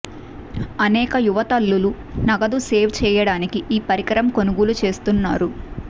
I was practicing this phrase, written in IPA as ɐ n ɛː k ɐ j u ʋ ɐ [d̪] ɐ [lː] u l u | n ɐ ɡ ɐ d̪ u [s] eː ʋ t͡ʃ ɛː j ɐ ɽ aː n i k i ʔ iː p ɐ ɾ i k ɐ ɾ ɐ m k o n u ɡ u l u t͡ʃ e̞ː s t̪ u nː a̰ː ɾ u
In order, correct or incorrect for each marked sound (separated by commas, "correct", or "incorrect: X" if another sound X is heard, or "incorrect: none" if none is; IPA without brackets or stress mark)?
incorrect: t̪, correct, correct